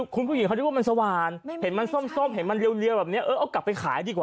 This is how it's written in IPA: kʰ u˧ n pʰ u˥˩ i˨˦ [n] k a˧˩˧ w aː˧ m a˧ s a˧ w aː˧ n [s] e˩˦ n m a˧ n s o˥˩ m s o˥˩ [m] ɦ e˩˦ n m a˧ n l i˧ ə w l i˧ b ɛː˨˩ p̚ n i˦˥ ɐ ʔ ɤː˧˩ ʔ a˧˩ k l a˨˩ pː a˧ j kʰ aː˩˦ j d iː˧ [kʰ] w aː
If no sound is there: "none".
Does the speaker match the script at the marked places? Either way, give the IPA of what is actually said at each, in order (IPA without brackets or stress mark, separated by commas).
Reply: ŋ, h, m, k